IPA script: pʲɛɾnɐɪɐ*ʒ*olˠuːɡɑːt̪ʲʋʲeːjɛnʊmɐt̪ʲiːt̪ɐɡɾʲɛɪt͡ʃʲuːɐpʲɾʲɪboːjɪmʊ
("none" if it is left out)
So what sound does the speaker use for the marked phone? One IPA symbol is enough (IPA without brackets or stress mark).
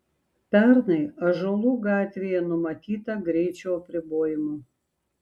ʒ